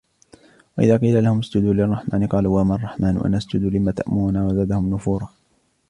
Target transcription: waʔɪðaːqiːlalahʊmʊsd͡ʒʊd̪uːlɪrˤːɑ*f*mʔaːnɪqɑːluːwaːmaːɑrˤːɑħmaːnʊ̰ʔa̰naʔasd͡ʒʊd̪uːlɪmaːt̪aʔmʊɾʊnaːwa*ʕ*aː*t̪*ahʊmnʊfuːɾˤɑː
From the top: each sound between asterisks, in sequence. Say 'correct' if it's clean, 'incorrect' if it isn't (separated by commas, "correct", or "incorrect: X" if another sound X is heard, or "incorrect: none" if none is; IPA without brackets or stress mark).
incorrect: ħ, incorrect: z, incorrect: d̪